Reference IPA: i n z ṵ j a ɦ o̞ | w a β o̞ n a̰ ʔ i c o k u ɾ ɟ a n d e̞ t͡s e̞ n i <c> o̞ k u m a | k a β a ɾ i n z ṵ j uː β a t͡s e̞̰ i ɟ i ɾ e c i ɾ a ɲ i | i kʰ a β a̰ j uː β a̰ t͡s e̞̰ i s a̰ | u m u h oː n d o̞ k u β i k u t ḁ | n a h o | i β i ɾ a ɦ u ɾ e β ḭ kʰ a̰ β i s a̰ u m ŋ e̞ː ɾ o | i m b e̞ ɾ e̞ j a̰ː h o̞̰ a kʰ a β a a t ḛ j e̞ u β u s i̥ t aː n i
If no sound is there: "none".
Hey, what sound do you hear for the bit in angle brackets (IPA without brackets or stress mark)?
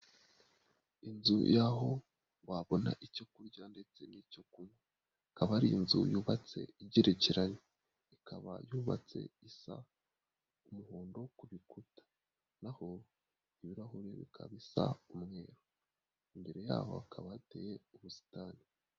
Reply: c